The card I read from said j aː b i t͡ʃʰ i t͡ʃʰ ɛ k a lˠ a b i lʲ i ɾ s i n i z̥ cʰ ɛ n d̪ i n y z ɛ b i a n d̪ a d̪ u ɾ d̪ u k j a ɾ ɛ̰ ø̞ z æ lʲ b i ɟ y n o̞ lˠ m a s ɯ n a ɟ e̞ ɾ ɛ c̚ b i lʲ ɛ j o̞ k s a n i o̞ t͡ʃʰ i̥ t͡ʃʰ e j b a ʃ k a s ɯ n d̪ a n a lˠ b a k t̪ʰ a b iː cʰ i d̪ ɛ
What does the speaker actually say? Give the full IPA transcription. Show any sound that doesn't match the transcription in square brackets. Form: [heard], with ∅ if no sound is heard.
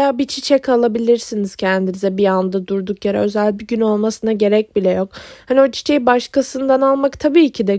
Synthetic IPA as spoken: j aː b i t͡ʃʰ i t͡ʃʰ ɛ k a lˠ a b i lʲ i ɾ s i n i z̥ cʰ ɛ n d̪ i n [i] z ɛ b i a n d̪ a d̪ u ɾ d̪ u k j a ɾ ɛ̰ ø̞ z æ lʲ b i ɟ y n o̞ lˠ m a s ɯ n a ɟ e̞ ɾ ɛ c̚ b i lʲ ɛ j o̞ k [h] a n i o̞ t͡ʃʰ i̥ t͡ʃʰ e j b a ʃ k a s ɯ n d̪ a n a lˠ [m] a k t̪ʰ a b iː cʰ i d̪ ɛ